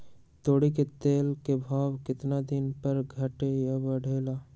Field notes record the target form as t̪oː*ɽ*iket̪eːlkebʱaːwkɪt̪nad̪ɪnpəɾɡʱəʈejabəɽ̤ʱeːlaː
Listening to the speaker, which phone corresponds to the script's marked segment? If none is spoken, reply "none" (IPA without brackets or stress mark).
ɽ